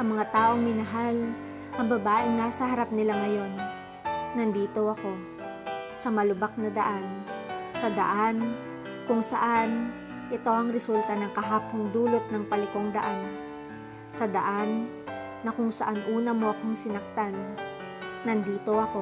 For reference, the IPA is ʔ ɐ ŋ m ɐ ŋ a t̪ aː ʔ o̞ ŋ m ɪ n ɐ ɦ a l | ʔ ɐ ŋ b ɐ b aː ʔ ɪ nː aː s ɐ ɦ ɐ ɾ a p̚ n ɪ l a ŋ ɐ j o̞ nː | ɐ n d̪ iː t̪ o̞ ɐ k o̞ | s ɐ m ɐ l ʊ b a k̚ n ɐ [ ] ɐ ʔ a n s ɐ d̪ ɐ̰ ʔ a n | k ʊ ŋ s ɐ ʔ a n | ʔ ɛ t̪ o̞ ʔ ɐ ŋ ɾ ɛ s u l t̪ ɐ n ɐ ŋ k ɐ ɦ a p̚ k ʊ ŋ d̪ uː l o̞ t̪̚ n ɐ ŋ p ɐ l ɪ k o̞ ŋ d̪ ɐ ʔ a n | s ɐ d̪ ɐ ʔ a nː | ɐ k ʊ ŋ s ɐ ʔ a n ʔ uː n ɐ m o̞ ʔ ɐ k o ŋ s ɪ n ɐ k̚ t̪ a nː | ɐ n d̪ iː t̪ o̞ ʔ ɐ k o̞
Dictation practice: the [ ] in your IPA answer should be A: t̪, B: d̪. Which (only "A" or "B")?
B